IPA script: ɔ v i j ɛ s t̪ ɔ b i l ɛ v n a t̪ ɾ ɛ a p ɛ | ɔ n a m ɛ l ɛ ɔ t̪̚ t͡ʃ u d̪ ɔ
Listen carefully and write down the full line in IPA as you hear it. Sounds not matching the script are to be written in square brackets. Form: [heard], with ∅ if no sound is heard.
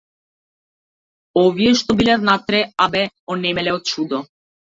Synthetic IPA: ɔ v i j ɛ [ʃ] t̪ ɔ b i l ɛ v n a t̪ ɾ ɛ a [b] ɛ | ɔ n [ɛ] m ɛ l ɛ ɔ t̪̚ t͡ʃ u d̪ ɔ